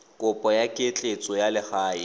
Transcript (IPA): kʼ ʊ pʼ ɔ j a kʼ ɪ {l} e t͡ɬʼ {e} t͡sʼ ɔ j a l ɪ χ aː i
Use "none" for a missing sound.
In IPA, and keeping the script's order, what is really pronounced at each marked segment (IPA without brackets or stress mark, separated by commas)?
none, e